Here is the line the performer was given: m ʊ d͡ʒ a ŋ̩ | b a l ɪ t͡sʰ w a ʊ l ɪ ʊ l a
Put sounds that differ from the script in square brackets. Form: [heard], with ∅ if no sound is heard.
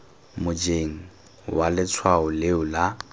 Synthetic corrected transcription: m ʊ d͡ʒ [e] ŋ̩ | [w] a l ɪ t͡sʰ w a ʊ l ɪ ʊ l a